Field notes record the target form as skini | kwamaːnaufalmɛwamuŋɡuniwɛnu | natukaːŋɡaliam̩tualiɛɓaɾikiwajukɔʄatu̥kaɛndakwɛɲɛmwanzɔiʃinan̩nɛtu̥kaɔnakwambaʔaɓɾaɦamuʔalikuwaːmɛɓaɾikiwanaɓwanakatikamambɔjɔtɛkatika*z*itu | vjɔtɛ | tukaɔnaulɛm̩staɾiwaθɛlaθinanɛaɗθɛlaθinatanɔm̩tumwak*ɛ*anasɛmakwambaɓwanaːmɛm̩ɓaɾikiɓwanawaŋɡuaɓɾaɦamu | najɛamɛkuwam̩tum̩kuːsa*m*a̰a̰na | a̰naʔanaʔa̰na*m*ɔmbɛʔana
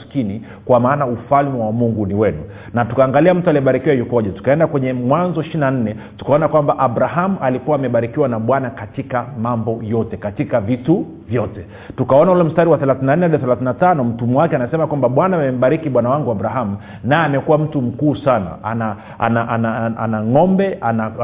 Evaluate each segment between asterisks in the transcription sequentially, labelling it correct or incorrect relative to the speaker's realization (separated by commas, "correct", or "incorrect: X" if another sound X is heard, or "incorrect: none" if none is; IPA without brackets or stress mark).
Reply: incorrect: v, correct, incorrect: n, incorrect: ŋ